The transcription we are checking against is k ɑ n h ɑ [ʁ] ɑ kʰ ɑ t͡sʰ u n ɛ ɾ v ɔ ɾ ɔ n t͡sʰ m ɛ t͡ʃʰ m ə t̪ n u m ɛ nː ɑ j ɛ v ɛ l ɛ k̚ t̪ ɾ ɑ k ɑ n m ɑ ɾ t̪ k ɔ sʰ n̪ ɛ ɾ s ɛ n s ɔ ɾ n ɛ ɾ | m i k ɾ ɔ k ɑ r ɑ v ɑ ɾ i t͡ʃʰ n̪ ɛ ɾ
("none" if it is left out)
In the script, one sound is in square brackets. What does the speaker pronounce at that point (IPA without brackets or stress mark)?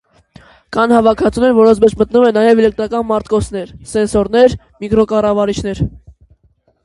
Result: v